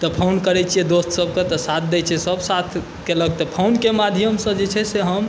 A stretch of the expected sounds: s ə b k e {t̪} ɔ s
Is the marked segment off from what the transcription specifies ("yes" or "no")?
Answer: no